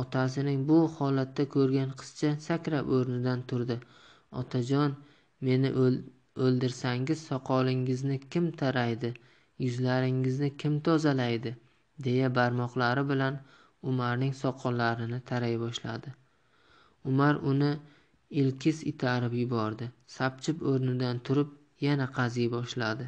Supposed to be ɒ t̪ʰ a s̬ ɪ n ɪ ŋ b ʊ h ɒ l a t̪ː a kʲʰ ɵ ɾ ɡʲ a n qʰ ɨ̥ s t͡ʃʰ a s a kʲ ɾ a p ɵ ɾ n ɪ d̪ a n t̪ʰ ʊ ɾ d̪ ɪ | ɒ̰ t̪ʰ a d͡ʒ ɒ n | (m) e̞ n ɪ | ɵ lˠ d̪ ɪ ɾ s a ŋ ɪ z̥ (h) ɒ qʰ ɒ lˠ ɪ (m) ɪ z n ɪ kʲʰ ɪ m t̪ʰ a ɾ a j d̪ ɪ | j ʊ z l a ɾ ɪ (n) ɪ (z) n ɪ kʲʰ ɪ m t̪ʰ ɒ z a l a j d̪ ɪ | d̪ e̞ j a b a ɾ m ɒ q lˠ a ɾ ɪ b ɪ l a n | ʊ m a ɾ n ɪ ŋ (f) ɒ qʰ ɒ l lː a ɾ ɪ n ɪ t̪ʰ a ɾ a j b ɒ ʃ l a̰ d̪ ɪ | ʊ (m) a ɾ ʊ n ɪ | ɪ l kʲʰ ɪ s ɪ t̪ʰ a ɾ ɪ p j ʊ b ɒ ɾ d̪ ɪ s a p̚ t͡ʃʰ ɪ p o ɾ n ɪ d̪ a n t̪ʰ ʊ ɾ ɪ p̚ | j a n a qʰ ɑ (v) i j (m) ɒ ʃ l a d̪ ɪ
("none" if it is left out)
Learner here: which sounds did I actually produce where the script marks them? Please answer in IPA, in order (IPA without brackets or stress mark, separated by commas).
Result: m, s, ŋ, ŋ, z, s, m, z, b